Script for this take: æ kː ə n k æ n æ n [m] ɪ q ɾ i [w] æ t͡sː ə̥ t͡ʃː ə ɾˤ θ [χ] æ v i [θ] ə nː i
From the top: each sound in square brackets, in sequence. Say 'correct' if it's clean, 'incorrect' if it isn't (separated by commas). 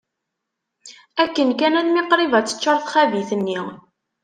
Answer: correct, incorrect, correct, correct